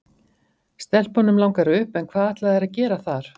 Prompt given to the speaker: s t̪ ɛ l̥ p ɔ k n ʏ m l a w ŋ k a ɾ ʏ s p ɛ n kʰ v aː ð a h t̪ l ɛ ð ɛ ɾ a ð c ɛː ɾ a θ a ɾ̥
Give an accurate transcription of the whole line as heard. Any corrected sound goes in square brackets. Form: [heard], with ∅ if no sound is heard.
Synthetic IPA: s t̪ ɛ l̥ p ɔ [∅] n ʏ m l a w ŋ k a ɾ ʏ [h] p ɛ n kʰ v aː ð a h t̪ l [a] ð ɛ ɾ a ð c ɛː ɾ a θ a ɾ̥